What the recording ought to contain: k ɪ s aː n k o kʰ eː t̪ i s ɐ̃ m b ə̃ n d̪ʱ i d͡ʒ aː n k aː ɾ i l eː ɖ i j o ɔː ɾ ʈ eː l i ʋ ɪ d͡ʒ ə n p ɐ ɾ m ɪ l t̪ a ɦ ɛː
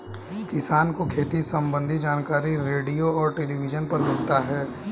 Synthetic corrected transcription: k ɪ s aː n k o kʰ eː t̪ i s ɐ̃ m b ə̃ n d̪ʱ i d͡ʒ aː n k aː ɾ i ɾ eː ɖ i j o ɔː ɾ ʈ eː l i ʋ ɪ d͡ʒ ə n p ɐ ɾ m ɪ l t̪ a ɦ ɛː